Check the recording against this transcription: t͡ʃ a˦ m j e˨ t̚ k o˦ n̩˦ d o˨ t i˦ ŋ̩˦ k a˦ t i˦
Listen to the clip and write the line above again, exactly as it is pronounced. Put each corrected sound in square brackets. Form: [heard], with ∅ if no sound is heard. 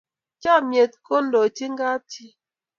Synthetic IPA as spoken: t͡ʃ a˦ m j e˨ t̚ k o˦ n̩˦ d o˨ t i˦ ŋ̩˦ [ɡ] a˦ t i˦